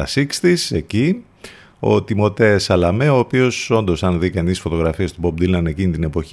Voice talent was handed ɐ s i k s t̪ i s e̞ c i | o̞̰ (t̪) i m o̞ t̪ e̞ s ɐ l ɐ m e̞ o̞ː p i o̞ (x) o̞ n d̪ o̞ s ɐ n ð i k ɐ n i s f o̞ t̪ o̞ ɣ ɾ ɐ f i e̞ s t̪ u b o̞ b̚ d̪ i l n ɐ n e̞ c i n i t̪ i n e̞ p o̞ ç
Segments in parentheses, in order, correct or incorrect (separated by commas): correct, incorrect